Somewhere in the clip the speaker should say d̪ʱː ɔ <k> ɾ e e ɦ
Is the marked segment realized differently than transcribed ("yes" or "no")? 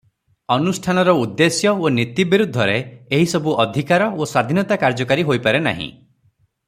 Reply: yes